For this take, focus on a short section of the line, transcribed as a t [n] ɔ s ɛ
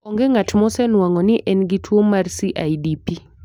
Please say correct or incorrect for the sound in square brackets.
incorrect